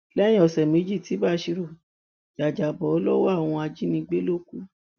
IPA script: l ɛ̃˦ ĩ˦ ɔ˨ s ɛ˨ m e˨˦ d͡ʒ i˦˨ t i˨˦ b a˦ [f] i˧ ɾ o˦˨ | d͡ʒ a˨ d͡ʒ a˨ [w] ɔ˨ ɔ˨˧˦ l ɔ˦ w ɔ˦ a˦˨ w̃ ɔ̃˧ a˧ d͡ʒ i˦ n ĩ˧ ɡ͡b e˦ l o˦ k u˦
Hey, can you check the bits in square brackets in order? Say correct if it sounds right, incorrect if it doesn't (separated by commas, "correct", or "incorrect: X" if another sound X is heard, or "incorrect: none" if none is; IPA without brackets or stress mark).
incorrect: ʃ, incorrect: b